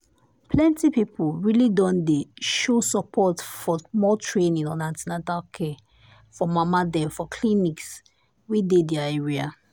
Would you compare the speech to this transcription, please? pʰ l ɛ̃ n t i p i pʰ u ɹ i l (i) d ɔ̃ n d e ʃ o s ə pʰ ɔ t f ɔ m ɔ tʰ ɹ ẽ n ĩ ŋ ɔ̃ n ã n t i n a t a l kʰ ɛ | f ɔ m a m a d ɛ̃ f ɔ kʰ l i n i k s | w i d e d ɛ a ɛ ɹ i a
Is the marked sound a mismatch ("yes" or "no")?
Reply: no